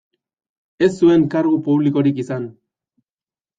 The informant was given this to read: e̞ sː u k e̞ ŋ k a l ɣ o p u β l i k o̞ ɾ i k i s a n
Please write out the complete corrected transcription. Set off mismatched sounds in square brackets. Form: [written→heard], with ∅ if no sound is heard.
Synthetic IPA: e̞ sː u [k→∅] e̞ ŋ k a [l→ɾ] ɣ [o→u] p u β l i k o̞ ɾ i k i s a n